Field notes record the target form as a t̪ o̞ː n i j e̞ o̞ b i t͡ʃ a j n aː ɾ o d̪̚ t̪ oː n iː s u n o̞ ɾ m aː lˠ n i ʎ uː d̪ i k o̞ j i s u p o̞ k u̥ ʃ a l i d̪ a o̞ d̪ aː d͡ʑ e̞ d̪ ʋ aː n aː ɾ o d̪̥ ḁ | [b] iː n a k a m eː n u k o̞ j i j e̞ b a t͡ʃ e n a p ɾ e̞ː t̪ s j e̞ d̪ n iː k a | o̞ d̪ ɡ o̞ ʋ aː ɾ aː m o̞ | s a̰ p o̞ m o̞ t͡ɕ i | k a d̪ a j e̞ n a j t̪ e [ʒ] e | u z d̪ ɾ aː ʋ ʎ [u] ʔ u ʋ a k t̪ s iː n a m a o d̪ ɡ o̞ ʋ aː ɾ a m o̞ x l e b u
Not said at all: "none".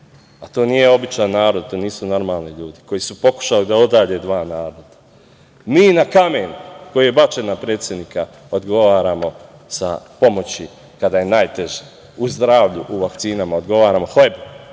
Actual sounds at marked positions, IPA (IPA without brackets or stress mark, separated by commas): m, ʒ, u